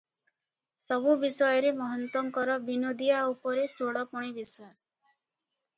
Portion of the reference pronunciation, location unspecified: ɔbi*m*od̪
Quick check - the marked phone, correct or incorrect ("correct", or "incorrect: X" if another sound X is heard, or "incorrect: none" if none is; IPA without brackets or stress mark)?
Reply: incorrect: n